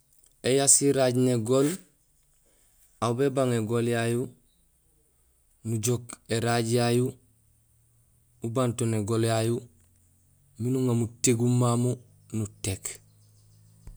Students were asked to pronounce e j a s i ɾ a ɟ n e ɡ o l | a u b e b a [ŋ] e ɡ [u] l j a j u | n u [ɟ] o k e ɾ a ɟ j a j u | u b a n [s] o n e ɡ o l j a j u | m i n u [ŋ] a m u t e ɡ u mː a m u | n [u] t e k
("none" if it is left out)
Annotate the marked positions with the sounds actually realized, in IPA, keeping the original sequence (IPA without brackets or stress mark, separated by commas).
ŋ, o, ɟ, t, ŋ, u